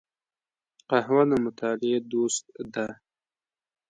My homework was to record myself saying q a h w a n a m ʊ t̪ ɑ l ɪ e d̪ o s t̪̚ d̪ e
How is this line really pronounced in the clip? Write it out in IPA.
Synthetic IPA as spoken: q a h w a n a m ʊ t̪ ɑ l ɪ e d̪ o s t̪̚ d̪ a